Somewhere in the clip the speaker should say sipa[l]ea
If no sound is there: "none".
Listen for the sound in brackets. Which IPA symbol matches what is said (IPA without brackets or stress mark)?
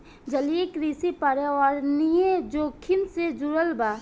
ɾ